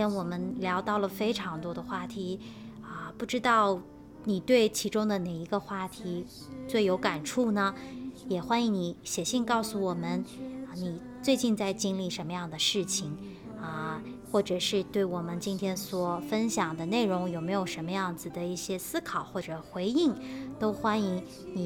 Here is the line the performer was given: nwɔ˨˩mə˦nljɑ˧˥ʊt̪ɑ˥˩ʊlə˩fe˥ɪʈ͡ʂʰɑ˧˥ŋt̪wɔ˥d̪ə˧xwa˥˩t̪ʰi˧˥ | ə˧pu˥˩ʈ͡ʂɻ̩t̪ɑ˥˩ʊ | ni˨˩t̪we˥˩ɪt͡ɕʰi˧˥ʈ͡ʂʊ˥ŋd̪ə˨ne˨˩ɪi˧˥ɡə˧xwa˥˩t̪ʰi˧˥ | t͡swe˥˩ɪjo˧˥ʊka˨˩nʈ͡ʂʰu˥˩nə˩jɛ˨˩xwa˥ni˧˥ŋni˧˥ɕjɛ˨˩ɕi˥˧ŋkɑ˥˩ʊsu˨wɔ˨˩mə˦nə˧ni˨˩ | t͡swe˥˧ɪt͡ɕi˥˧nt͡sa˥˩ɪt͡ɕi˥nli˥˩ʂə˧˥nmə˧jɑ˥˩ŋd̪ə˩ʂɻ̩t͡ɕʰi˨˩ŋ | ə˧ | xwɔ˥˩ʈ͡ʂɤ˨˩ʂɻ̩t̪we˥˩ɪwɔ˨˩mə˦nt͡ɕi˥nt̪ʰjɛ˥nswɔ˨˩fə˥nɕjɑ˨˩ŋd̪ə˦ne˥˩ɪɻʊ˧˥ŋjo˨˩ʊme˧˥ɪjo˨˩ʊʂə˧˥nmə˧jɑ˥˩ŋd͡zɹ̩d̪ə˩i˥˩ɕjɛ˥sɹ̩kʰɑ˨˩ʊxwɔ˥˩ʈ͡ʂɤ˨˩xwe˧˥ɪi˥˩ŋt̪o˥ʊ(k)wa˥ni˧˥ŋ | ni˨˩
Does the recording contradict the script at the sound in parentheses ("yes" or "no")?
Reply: yes